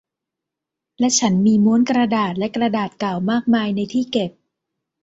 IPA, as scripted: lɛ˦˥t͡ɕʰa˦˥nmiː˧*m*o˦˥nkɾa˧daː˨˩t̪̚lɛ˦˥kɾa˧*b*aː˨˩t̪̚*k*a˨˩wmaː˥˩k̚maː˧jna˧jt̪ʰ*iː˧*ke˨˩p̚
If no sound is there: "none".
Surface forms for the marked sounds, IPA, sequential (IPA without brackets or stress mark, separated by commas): m, d, k, iː˥˩